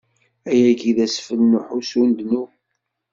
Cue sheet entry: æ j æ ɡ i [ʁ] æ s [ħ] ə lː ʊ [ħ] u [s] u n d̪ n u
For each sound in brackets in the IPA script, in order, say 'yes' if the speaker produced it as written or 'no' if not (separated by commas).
no, no, yes, yes